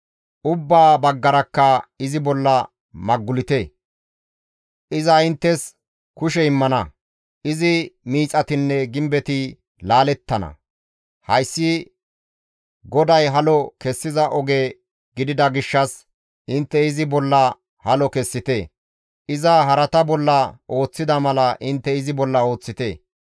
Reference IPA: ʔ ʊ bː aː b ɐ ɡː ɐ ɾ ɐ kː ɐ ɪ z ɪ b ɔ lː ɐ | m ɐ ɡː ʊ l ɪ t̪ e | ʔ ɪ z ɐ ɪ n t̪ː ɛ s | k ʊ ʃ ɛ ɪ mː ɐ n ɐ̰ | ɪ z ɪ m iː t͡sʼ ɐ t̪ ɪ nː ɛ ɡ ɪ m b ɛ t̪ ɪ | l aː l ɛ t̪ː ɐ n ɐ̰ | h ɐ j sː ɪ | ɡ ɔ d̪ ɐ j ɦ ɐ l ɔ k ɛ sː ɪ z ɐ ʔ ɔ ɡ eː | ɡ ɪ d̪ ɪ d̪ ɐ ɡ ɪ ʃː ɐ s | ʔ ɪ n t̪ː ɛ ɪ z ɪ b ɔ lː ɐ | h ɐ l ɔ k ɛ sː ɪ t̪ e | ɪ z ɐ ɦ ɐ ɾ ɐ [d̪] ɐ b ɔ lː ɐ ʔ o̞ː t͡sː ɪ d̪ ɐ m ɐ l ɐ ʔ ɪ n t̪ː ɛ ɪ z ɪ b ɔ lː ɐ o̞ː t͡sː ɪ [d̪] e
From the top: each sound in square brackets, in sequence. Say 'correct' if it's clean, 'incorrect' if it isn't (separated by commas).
incorrect, incorrect